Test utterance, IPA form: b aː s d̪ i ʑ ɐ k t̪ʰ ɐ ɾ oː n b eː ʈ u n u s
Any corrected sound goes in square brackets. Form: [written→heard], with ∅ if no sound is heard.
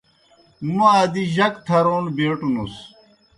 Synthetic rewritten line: [b→m] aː [s→∅] d̪ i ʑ ɐ k t̪ʰ ɐ ɾ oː n b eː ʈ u n u s